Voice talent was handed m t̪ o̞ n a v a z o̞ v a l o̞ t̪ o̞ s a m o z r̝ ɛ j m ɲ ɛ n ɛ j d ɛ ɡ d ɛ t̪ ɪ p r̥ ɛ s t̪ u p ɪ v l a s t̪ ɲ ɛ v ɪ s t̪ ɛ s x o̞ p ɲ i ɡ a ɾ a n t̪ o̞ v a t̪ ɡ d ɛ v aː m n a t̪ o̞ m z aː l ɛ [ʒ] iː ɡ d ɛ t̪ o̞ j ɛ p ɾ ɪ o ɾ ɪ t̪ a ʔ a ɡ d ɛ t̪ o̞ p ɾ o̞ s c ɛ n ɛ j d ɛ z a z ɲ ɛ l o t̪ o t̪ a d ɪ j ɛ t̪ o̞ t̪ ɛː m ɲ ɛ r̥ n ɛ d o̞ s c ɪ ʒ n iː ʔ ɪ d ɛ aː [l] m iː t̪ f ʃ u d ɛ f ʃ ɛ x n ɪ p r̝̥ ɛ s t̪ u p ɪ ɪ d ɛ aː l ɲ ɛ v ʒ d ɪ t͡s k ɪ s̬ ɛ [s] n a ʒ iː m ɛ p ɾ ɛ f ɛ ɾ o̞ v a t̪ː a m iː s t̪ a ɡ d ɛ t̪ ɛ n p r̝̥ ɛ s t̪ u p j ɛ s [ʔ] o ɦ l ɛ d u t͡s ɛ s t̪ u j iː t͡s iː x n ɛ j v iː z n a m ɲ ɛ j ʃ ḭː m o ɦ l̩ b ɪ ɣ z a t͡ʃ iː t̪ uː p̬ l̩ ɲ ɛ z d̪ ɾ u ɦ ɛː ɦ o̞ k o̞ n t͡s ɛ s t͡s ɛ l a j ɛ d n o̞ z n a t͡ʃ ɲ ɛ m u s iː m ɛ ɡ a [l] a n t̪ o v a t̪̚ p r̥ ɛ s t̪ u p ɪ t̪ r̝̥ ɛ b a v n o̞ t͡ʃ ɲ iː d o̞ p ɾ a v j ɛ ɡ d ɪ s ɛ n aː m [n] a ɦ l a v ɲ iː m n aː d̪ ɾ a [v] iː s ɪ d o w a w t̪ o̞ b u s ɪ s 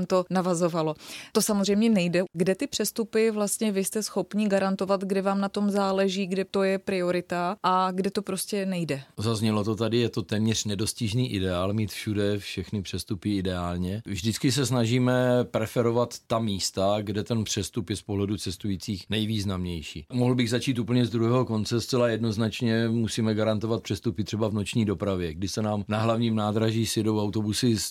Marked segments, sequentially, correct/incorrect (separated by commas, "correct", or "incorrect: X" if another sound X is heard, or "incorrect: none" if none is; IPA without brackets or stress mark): correct, correct, correct, incorrect: p, incorrect: ɾ, correct, incorrect: ʒ